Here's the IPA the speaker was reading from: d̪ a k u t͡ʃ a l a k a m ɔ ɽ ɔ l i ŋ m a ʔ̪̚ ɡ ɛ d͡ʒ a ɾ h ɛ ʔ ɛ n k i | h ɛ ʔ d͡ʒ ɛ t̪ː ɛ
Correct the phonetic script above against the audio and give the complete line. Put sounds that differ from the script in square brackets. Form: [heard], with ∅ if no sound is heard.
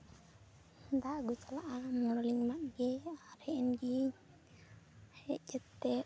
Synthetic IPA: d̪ a [ɡ] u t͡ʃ a l a [ʔ] a m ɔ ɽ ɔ l i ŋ m a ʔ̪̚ ɡ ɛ [∅] a ɾ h ɛ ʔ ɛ n [ɡ] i | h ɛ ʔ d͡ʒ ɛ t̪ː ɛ